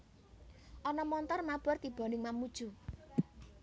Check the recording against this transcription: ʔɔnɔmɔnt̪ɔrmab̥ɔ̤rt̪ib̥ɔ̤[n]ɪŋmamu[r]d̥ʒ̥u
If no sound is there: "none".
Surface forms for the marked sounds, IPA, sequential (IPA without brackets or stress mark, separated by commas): n, none